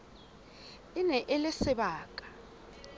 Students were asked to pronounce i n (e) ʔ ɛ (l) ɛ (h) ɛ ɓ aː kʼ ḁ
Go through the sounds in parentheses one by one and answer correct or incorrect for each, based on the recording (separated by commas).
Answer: incorrect, correct, incorrect